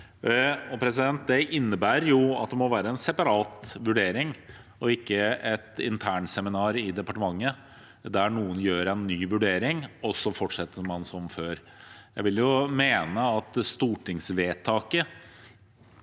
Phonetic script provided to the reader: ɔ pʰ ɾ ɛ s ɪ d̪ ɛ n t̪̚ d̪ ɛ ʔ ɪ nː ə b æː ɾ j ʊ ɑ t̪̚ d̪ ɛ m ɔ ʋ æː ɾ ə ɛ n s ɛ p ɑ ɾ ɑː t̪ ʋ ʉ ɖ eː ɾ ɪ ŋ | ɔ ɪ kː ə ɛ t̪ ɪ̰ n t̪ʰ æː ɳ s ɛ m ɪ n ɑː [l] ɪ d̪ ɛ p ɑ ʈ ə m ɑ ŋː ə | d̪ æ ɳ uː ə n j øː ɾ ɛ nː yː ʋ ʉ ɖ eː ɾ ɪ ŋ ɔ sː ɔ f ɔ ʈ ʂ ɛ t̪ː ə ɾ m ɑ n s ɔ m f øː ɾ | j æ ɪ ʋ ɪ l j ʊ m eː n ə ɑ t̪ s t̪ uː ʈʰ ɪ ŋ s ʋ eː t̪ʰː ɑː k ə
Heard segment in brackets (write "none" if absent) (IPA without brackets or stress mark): ɾ